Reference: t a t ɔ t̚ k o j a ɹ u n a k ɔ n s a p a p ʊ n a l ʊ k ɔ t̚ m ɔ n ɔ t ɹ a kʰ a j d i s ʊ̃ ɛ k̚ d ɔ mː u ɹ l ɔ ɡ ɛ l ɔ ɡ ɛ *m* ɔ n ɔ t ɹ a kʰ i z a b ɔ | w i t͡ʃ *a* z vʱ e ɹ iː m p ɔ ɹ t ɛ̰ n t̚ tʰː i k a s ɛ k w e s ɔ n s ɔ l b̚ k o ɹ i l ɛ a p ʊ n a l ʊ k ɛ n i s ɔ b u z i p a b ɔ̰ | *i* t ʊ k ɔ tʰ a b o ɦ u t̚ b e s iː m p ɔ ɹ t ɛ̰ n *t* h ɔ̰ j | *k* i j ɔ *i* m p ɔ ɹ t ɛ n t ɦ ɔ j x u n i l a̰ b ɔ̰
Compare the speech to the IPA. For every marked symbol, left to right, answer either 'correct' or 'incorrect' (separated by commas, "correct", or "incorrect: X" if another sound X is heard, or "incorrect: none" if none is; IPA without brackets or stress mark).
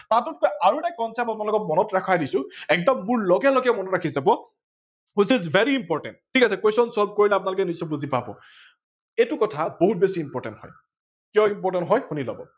correct, incorrect: i, incorrect: e, correct, correct, correct